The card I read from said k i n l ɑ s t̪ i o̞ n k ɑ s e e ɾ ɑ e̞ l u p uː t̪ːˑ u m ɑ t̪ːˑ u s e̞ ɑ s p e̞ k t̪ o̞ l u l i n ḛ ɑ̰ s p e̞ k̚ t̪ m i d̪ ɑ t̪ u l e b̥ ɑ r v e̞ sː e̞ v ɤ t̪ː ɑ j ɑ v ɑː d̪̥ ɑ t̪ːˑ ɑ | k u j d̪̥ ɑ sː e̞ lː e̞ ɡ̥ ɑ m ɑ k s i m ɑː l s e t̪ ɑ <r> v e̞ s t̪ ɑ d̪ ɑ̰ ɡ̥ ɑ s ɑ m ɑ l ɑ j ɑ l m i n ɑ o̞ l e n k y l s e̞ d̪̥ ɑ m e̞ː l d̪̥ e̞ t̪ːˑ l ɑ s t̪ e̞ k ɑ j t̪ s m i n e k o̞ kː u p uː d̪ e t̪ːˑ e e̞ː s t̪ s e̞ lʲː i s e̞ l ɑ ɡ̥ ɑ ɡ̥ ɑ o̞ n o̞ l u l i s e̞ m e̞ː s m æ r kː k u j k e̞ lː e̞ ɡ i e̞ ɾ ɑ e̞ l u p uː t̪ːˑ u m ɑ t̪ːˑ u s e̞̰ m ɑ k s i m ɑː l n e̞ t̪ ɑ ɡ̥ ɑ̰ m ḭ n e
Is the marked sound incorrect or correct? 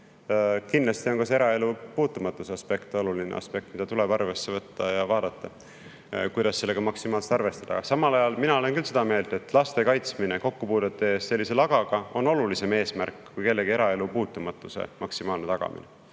correct